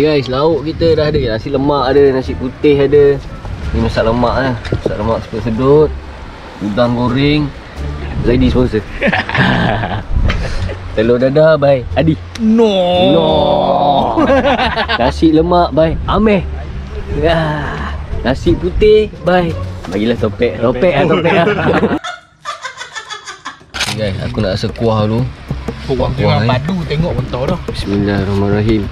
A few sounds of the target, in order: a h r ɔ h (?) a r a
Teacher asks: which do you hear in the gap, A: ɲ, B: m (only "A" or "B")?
B